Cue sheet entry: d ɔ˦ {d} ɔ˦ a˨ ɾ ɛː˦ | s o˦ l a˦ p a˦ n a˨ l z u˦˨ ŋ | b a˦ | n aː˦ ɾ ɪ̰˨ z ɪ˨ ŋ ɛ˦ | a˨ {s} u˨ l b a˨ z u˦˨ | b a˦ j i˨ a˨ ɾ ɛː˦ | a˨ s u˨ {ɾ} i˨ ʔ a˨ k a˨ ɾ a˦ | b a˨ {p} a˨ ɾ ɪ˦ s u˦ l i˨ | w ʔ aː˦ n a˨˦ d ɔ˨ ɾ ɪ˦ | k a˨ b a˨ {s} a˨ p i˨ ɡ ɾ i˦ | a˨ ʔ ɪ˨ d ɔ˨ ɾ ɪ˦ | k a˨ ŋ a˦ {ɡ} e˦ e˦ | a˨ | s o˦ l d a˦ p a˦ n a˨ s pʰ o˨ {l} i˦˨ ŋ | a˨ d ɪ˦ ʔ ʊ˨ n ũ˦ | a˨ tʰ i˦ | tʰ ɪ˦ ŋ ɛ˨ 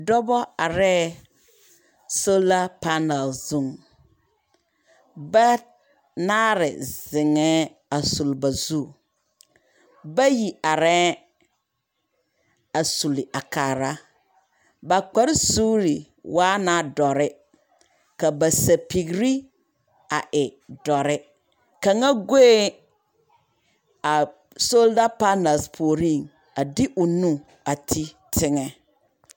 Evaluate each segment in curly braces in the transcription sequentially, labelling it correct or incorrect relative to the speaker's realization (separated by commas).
incorrect, correct, incorrect, incorrect, correct, correct, incorrect